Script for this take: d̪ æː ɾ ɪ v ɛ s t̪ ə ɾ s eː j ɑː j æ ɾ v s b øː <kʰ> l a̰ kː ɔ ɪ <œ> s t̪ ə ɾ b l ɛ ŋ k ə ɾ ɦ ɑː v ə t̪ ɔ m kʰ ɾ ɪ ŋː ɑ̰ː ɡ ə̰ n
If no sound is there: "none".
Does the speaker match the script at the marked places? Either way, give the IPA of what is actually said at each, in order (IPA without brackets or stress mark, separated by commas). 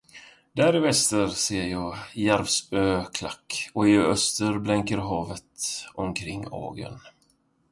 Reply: kʰ, œ